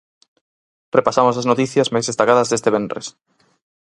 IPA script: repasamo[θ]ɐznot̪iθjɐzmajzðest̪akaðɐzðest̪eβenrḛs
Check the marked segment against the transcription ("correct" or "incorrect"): incorrect